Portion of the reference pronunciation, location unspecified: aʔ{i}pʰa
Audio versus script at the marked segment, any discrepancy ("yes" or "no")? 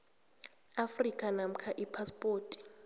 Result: no